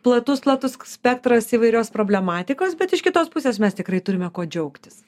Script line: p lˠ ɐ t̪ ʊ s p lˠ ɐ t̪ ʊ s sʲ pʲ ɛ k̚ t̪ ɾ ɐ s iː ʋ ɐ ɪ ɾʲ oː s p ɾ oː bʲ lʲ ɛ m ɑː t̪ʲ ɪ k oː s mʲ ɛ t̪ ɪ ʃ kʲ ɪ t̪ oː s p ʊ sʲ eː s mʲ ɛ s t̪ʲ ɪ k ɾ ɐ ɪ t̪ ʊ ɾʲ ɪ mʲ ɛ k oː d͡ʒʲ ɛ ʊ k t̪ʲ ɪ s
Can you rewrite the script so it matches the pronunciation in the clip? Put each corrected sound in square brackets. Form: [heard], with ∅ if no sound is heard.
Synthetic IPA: p lˠ ɐ t̪ ʊ s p lˠ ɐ t̪ ʊ s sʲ pʲ ɛ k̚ t̪ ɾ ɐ s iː ʋ ɐ ɪ ɾʲ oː s p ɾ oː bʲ lʲ ɛ m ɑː t̪ʲ ɪ k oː s [bʲ] ɛ t̪ ɪ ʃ kʲ ɪ t̪ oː s p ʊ sʲ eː s mʲ ɛ s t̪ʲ ɪ k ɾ ɐ ɪ t̪ ʊ ɾʲ ɪ mʲ ɛ k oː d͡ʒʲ ɛ ʊ k t̪ʲ ɪ s